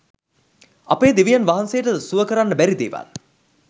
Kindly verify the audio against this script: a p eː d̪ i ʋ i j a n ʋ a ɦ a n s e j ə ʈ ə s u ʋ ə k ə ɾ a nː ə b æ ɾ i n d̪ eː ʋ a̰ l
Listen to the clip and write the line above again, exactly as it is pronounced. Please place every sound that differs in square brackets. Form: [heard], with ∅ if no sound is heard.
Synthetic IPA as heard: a p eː d̪ i ʋ i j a n ʋ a ɦ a n s e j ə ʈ ə s u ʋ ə k ə ɾ a nː ə b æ ɾ i [∅] d̪ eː ʋ a̰ l